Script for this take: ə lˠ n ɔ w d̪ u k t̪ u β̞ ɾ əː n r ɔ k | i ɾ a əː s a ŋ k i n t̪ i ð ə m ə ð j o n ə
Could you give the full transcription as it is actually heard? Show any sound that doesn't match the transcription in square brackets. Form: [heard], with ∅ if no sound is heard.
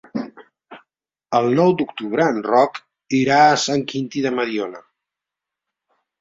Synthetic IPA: ə lˠ n ɔ w d̪ u k t̪ u β̞ ɾ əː n r ɔ k | i ɾ a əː s a ŋ k i n t̪ i ð ə m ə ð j o n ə